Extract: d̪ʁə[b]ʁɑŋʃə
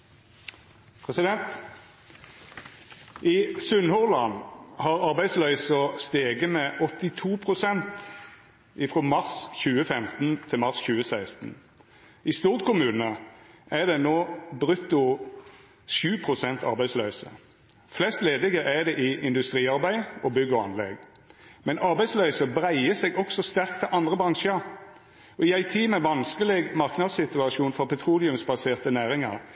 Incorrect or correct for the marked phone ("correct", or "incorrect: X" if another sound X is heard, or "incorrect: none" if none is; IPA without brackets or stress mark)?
correct